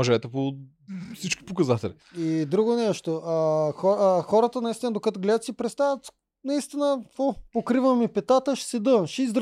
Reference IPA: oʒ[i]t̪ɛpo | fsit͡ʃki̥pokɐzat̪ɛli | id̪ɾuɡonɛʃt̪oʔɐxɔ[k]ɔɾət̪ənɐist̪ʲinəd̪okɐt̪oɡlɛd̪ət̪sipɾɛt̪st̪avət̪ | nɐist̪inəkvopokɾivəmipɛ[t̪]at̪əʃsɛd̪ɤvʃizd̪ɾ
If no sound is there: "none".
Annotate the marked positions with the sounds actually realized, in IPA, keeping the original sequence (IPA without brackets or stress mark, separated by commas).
ɛ, x, t̪